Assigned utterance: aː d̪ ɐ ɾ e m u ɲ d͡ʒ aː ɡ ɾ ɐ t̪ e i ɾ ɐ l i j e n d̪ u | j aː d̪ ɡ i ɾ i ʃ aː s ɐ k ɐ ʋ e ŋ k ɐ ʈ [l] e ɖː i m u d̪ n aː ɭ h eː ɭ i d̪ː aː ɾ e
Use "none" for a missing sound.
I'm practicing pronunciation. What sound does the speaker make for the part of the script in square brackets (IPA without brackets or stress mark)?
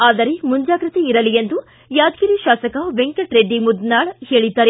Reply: ɾ